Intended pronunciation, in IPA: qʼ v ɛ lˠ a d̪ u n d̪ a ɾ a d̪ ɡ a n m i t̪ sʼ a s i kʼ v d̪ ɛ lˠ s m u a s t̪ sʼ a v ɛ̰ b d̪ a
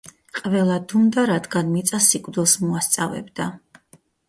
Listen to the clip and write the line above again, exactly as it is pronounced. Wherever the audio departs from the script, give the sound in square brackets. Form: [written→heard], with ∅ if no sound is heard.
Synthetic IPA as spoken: qʼ v ɛ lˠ a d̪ u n d̪ a ɾ a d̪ ɡ a n m i t̪ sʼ a s i kʼ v d̪ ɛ lˠ s m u a s t̪ sʼ a v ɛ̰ b d̪ a